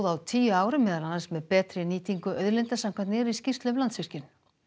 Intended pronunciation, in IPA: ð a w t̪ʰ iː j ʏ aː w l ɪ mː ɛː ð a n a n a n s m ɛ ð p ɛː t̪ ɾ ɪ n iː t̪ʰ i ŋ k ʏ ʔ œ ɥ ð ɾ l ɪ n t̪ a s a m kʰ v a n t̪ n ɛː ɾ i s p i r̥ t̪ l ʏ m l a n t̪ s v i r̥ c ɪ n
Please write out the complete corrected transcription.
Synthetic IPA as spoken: ð a w t̪ʰ iː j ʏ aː w ɾ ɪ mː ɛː ð a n a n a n s m ɛ ð p ɛː t̪ ɾ ɪ n iː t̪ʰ i ŋ k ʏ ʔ œ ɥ ð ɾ l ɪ n t̪ a s a m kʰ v a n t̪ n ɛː ɾ i s c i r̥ t̪ l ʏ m l a n t̪ s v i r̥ c ɪ n